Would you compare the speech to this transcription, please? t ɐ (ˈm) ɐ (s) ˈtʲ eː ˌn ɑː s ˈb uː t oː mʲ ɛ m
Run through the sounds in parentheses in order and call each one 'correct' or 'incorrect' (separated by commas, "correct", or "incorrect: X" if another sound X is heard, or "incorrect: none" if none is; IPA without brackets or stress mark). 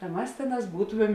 correct, correct